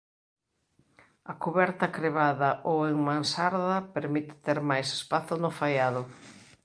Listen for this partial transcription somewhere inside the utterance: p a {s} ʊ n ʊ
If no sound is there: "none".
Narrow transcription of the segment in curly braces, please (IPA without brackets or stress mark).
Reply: θ